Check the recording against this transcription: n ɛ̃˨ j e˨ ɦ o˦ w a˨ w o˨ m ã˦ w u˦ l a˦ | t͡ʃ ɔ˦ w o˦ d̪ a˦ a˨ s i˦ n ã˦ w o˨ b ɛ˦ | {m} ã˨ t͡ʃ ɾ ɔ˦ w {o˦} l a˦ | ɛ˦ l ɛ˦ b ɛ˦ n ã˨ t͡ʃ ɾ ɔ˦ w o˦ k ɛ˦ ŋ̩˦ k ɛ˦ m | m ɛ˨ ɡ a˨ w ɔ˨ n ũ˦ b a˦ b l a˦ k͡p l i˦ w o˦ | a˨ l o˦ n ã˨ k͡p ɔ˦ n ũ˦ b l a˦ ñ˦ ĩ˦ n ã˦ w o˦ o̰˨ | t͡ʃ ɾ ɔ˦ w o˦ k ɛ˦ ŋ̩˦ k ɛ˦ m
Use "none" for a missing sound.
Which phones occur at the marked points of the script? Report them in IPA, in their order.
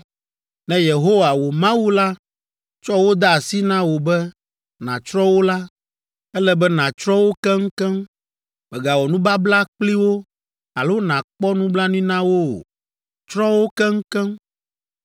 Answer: n, o˦

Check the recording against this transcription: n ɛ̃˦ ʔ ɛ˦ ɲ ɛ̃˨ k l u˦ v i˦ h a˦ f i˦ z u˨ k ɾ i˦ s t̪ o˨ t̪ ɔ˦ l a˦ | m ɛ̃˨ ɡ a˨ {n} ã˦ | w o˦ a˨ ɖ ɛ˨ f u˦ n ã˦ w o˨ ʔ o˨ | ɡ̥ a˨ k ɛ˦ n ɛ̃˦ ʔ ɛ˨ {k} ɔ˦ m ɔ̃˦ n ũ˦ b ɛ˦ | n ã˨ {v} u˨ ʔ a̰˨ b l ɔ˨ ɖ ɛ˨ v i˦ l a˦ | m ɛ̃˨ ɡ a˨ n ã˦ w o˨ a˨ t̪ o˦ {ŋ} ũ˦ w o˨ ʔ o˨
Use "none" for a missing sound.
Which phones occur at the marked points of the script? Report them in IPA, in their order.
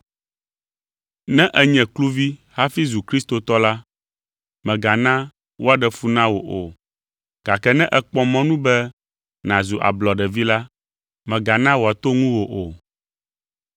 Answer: n, k͡p, z, ŋ

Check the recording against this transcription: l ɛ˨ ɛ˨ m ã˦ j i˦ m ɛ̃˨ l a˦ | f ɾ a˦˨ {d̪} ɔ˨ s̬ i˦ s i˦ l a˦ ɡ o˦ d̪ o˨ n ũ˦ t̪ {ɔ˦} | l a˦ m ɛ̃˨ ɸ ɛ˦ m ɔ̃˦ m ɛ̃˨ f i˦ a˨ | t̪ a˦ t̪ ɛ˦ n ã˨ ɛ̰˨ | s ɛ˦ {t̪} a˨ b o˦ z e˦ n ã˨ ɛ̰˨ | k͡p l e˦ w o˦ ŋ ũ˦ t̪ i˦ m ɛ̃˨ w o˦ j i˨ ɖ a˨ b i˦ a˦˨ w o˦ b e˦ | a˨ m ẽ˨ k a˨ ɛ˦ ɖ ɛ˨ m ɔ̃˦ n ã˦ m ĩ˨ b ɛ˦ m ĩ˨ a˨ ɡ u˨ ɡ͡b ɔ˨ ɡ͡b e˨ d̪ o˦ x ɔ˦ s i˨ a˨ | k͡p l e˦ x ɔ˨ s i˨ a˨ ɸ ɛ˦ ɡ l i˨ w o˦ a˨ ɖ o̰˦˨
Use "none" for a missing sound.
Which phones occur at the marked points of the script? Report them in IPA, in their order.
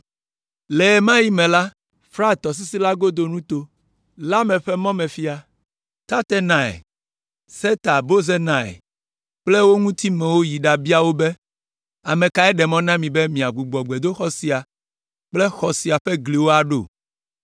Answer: t̪, o˦, t̪

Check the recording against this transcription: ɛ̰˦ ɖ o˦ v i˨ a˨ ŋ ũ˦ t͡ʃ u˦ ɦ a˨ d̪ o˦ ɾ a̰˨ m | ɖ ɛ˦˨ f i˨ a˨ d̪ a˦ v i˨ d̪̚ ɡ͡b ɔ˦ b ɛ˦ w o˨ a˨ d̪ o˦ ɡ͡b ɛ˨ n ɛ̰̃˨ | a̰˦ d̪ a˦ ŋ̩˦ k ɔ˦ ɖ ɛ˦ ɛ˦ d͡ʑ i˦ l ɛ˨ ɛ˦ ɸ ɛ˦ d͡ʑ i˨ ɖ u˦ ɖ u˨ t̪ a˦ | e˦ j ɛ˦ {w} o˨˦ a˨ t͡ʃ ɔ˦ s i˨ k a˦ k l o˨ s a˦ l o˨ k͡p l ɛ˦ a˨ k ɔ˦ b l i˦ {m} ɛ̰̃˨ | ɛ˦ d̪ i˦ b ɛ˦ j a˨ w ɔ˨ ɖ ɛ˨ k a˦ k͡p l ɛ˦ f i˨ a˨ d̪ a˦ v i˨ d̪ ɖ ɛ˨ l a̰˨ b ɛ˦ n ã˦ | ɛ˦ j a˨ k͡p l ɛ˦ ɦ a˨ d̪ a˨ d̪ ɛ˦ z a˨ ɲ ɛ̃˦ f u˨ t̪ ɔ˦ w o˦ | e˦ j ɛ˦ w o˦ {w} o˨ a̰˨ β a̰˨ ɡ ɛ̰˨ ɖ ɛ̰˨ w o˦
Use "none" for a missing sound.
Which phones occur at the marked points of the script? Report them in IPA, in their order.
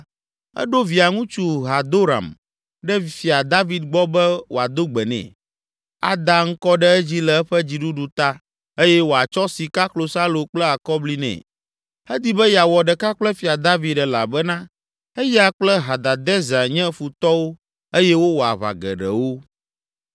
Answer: w, n, w

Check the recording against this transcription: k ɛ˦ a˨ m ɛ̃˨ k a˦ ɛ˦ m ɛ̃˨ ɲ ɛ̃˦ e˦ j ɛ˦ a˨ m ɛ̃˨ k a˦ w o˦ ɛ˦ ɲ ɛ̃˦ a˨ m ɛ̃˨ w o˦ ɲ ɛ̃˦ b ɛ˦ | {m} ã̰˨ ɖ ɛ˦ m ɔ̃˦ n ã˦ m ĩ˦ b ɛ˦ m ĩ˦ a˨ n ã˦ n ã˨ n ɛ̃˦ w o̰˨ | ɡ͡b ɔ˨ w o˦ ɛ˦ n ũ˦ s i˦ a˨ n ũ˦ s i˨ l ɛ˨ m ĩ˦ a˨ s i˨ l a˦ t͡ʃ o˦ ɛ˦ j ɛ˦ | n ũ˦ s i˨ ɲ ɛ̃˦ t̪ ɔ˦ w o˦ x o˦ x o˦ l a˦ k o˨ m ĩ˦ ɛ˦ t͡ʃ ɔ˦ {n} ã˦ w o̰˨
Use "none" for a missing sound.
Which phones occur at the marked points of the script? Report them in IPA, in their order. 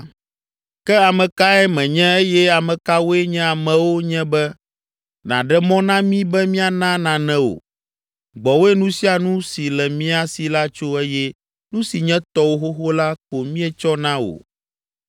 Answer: n, n

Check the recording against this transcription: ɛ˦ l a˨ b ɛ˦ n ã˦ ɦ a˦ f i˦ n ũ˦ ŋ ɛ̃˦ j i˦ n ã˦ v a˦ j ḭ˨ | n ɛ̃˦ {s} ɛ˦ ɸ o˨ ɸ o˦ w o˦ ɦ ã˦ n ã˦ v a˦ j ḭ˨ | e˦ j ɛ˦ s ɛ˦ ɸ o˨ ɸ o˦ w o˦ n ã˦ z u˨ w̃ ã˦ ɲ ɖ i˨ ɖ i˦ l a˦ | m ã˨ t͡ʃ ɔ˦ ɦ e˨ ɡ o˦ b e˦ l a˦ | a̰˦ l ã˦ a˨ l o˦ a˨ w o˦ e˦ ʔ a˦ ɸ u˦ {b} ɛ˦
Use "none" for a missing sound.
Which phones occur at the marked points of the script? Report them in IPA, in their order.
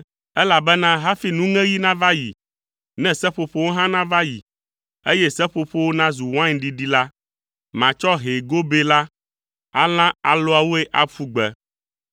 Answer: s, ɡ͡b

